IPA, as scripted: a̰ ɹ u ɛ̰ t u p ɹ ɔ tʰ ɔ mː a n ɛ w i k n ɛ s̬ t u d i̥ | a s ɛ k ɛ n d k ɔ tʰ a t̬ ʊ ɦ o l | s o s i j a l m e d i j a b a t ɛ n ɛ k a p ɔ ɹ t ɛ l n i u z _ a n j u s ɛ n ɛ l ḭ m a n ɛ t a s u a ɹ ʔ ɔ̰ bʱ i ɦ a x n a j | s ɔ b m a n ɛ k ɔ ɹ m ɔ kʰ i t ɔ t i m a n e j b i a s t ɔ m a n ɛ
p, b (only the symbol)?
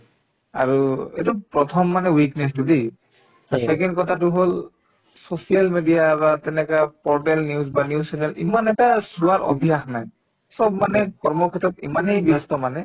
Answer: b